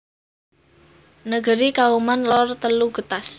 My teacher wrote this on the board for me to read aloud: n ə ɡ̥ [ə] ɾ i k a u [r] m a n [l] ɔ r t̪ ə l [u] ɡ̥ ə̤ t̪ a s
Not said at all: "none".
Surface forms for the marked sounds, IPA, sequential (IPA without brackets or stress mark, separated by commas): ə, none, l, u